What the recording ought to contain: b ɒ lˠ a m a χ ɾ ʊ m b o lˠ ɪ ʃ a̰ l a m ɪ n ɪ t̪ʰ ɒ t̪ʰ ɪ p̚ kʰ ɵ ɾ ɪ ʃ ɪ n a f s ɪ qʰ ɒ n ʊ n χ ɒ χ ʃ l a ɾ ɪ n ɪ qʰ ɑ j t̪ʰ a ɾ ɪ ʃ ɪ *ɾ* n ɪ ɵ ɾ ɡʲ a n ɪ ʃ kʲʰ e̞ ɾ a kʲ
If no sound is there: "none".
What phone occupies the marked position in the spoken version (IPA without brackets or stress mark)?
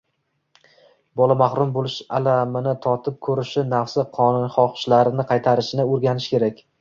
none